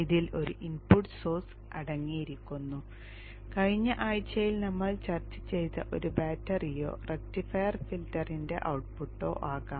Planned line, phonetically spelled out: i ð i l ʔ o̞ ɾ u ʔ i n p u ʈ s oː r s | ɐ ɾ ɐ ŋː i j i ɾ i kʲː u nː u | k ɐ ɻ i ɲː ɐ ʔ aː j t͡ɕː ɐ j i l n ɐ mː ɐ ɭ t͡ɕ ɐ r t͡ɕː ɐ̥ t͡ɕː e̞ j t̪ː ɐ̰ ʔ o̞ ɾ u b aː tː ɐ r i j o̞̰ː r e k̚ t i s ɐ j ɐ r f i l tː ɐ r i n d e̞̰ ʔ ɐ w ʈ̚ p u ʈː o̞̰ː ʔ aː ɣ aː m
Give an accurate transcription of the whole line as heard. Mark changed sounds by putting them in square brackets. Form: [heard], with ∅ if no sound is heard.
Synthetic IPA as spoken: i ð i l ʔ o̞ ɾ u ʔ i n p u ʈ s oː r s | ɐ [ɽ] ɐ ŋː i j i ɾ i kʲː u nː u | k ɐ ɻ i ɲː ɐ ʔ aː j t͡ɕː ɐ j i l n ɐ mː ɐ ɭ t͡ɕ ɐ r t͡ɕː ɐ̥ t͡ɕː e̞ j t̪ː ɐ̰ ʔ o̞ ɾ u b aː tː ɐ r i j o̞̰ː r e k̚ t i [f] ɐ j ɐ r f i l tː ɐ r i n d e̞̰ ʔ ɐ w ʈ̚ p u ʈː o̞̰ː ʔ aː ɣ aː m

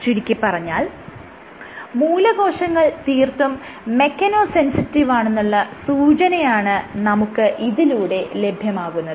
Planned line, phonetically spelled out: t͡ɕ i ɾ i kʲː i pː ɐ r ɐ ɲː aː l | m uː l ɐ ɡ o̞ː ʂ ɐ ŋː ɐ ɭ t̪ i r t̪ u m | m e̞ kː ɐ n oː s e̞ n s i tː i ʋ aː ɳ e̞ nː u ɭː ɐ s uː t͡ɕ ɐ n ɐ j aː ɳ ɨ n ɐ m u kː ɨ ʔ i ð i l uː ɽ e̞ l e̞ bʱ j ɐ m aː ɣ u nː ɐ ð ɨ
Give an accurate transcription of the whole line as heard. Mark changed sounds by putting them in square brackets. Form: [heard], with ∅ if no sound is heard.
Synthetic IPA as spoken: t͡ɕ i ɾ i kʲː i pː ɐ r ɐ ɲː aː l | m uː l ɐ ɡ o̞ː ʂ ɐ ŋː ɐ ɭ t̪ [iː] r t̪ u m | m e̞ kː ɐ n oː s e̞ n s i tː i ʋ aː ɳ e̞ nː u ɭː ɐ s uː t͡ɕ ɐ n ɐ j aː ɳ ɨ n ɐ m u kː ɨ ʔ i ð i l uː ɽ e̞ l e̞ bʱ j ɐ m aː ɣ u nː ɐ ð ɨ

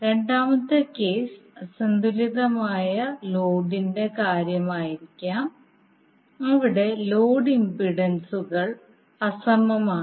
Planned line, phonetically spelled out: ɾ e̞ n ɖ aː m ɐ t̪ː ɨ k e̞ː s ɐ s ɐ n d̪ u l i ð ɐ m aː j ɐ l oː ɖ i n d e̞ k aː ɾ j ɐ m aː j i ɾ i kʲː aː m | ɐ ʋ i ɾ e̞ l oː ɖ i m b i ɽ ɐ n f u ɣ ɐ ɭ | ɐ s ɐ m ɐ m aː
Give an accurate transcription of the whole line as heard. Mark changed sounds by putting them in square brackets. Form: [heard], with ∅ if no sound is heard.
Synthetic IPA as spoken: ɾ e̞ [ɳ] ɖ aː m ɐ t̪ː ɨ k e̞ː s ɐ s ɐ n d̪ u l i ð ɐ m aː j ɐ l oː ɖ i n d e̞ k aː ɾ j ɐ m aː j i ɾ i kʲː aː m | ɐ ʋ i [ɽ] e̞ l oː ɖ i m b i ɽ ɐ n [s] u ɣ ɐ ɭ | ɐ s ɐ m ɐ m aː

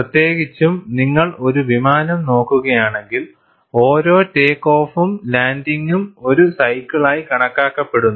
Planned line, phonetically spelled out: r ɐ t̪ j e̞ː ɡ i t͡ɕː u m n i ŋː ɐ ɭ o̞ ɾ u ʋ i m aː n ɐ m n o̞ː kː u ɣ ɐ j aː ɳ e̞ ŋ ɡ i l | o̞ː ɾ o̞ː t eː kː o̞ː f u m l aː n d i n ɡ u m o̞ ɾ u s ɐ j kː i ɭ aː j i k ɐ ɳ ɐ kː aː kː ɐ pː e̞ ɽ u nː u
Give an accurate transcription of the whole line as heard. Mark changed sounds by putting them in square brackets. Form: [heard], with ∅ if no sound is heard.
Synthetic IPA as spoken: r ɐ t̪ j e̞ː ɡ i t͡ɕː u m n i ŋː ɐ ɭ o̞ ɾ u ʋ i m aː n ɐ m n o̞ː kː u ɣ ɐ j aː ɳ e̞ ŋ ɡ i l | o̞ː ɾ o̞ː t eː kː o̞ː f u m l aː n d i [ŋ] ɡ u m o̞ ɾ u s ɐ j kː i ɭ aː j i k ɐ ɳ ɐ kː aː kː ɐ pː e̞ ɽ u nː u

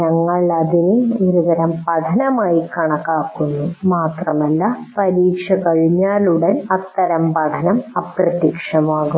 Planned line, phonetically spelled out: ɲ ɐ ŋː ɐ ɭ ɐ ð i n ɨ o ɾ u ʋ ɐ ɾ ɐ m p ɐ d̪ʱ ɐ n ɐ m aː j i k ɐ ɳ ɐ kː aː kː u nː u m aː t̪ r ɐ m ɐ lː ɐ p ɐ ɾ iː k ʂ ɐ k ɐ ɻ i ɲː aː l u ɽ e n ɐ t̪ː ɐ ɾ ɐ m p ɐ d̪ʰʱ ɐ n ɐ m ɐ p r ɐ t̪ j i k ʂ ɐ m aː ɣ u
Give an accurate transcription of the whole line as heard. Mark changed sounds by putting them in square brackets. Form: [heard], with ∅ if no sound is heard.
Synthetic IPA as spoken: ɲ ɐ ŋː ɐ ɭ ɐ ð i n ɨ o ɾ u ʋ ɐ ɾ ɐ m p ɐ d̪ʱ ɐ n ɐ m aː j i k ɐ ɳ ɐ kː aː kː u nː u m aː t̪ r ɐ m ɐ lː ɐ p ɐ ɾ iː k ʂ ɐ k ɐ ɻ i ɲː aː l u ɽ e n ɐ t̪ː ɐ ɾ ɐ m p ɐ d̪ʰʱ ɐ n ɐ m ɐ p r ɐ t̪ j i k ʂ ɐ m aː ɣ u

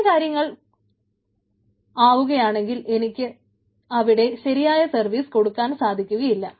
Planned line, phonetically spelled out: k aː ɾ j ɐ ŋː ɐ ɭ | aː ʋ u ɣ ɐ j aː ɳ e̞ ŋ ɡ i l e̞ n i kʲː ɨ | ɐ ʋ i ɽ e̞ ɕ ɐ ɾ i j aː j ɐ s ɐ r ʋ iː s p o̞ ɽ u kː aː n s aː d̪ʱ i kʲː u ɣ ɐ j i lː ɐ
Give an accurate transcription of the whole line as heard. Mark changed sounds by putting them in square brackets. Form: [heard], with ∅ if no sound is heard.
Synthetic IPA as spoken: k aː ɾ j ɐ ŋː ɐ ɭ | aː ʋ u ɣ ɐ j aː ɳ e̞ ŋ ɡ i l e̞ n i kʲː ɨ | ɐ ʋ i ɽ e̞ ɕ ɐ ɾ i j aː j ɐ s ɐ r ʋ iː s [k] o̞ ɽ u kː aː n s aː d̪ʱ i kʲː u ɣ ɐ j i lː ɐ

